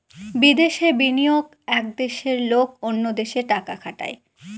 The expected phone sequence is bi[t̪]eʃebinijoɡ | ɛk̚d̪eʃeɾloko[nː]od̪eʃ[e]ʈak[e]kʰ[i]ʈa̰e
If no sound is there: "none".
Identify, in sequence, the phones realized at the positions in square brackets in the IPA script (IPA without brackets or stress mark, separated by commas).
d̪, nː, e, a, a